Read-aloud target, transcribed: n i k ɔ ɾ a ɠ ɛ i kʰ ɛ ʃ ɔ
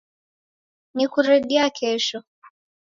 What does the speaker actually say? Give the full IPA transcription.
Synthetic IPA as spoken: n i k u ɾ ɛ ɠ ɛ a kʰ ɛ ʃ ɔ